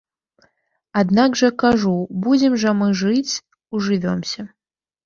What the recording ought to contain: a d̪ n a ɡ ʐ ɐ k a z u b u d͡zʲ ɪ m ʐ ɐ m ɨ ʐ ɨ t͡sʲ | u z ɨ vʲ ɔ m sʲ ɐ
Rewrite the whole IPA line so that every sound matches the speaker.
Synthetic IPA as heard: a d̪ n a ɡ ʐ ɐ k a ʐ u b u d͡zʲ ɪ m ʐ ɐ m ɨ ʐ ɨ t͡sʲ | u ʐ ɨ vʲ ɔ m sʲ ɐ